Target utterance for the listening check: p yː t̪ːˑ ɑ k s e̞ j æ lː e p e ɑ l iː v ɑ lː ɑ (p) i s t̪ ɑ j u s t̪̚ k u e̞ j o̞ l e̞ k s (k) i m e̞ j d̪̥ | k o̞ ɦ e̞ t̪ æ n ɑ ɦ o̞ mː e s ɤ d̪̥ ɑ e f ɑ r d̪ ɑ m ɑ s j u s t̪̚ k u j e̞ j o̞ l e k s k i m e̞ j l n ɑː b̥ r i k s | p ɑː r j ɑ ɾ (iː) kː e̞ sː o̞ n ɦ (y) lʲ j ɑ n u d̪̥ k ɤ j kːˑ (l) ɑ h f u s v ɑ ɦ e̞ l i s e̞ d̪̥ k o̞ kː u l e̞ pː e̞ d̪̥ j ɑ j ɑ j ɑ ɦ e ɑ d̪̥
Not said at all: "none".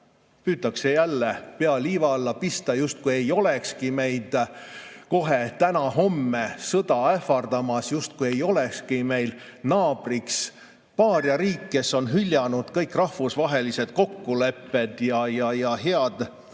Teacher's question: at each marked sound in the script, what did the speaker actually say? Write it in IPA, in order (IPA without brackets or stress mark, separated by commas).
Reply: p, k, iː, y, r